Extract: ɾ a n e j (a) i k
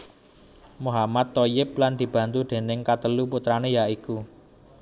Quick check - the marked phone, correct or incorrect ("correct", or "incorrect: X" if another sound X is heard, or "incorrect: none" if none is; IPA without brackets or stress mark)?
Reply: correct